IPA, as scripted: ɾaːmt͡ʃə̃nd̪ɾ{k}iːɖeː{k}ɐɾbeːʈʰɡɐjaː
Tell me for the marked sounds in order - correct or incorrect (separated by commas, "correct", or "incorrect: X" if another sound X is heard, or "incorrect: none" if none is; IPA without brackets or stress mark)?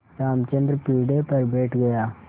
incorrect: p, incorrect: p